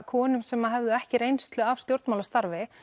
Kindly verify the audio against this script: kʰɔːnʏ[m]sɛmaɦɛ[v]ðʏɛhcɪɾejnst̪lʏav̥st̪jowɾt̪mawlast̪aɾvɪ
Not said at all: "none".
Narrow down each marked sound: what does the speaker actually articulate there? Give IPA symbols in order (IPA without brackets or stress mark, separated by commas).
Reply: m, v